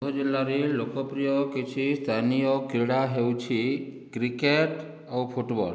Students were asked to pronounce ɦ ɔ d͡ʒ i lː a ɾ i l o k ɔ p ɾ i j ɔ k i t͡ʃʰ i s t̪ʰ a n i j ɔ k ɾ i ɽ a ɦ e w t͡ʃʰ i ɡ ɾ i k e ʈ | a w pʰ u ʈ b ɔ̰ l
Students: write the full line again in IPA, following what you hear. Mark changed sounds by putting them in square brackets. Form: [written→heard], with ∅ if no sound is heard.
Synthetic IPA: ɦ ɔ d͡ʒ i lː a ɾ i l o k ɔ p ɾ i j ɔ k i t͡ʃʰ i s t̪ʰ a n i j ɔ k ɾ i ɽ a ɦ e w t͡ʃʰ i [ɡ→k] ɾ i k e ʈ | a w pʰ u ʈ b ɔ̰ l